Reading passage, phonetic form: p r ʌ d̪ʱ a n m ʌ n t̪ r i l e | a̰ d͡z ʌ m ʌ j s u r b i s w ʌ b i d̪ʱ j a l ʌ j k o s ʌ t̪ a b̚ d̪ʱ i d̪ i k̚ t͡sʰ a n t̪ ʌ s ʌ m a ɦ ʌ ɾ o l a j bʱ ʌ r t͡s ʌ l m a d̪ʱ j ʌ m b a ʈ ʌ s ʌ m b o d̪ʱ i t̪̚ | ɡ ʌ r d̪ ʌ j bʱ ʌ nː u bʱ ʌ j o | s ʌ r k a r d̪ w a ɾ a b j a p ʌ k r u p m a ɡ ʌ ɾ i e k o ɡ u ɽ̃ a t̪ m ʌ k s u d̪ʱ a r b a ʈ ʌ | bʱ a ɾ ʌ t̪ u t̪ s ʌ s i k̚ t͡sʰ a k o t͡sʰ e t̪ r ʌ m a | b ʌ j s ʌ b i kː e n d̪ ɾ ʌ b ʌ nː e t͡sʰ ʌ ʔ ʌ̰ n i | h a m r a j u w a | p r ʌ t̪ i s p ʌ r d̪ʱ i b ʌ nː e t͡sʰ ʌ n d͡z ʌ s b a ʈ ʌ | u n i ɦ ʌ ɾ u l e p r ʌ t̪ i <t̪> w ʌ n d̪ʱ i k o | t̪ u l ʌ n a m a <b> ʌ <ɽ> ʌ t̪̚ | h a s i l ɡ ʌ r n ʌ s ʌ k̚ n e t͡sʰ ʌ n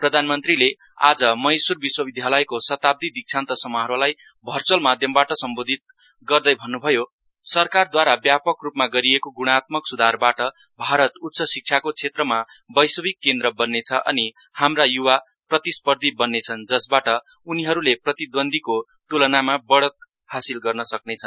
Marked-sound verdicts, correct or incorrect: incorrect: d̪, correct, correct

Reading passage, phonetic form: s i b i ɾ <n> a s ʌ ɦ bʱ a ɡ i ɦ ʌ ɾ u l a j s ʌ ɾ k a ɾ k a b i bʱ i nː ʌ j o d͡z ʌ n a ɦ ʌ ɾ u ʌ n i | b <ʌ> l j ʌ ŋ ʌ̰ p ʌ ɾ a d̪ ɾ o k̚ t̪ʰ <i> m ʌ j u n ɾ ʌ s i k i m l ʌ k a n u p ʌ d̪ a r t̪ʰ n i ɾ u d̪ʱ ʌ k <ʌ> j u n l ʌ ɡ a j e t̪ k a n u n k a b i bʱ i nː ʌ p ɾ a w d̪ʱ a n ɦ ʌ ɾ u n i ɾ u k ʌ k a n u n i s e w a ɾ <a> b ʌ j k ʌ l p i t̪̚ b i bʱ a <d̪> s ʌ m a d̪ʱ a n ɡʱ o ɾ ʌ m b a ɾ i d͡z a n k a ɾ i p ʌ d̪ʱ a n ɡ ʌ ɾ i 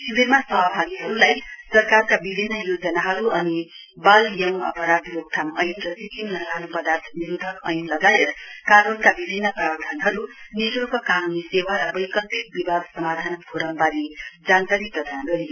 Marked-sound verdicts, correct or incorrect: incorrect: m, incorrect: a, incorrect: a, correct, incorrect: ʌ, correct

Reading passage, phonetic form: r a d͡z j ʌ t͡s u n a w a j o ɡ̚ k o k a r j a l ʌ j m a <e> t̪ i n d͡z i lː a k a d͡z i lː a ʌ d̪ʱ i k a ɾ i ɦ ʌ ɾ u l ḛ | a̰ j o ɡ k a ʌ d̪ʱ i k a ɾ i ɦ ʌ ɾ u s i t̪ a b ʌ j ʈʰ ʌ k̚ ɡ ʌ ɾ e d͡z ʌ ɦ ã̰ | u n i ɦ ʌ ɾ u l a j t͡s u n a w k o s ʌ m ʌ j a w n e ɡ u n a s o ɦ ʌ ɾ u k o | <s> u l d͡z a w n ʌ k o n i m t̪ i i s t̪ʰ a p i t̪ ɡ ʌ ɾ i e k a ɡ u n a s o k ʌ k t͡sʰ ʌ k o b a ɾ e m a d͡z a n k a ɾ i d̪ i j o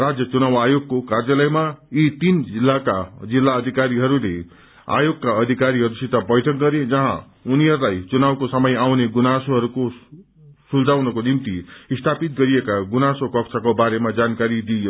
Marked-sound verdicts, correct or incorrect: incorrect: i, correct

